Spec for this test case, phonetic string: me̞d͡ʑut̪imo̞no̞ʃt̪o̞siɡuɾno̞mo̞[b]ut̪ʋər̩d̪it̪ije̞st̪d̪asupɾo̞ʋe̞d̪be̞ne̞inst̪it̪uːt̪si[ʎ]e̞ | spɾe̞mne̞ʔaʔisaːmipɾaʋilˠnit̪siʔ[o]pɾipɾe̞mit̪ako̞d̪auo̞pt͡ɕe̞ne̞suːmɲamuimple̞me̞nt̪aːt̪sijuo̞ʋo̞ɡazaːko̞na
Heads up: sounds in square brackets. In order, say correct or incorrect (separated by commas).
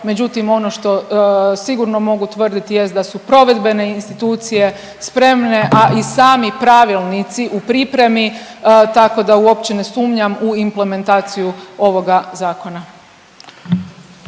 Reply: incorrect, incorrect, incorrect